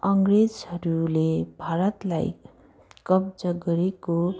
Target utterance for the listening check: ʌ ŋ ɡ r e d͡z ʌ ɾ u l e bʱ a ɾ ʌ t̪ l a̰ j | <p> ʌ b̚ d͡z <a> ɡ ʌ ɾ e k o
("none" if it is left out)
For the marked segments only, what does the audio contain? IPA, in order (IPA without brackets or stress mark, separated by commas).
k, ʌ